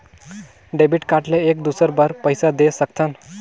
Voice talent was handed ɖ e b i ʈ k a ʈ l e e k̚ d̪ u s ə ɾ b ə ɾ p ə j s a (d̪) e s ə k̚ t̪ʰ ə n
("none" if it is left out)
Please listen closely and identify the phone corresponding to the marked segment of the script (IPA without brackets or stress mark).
d̪